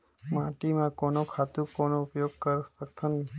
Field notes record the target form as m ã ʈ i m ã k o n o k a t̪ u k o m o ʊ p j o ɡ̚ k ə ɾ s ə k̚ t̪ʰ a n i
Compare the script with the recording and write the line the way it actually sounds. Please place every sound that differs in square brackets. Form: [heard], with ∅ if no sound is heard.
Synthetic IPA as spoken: m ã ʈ i m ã k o n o [kʰ] a t̪ u k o [n] o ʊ p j o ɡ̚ k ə ɾ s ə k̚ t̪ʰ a n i